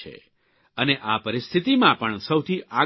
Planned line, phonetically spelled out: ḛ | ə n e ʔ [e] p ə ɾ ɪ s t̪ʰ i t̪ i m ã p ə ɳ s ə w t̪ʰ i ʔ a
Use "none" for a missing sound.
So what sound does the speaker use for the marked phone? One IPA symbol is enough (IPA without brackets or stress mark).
a